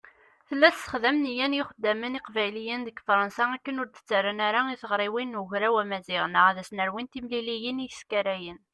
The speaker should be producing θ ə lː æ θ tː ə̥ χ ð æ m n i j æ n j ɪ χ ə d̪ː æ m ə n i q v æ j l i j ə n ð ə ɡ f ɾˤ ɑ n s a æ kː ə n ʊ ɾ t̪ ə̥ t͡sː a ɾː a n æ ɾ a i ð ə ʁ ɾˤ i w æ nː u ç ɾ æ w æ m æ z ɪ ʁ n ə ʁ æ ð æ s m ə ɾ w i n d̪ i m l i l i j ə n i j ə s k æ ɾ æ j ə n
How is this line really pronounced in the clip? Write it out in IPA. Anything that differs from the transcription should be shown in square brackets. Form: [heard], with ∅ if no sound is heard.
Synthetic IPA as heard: θ ə lː æ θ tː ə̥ χ ð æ m n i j æ n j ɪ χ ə d̪ː æ m ə n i q v æ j l i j ə n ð ə ɡ f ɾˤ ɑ n s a æ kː ə n ʊ ɾ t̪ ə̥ t͡sː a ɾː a n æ ɾ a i [θ] ə ʁ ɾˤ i w [i] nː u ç ɾ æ w æ m æ z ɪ ʁ n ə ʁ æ ð æ s [n] ə ɾ w i n [t̪] i m l i l i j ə n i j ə s k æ ɾ æ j ə n